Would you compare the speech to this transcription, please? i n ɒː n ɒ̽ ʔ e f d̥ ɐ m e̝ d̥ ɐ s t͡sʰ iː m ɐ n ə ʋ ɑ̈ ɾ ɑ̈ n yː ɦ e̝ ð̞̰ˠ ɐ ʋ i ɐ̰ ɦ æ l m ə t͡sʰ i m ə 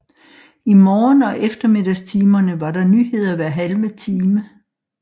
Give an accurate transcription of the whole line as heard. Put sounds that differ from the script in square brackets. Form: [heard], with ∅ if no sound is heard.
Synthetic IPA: i [m] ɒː n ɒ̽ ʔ e f d̥ ɐ m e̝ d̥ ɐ s t͡sʰ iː m ɐ n ə ʋ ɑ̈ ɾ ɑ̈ n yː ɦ e̝ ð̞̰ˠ ɐ ʋ [æ] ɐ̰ ɦ æ l m ə t͡sʰ [iː] m ə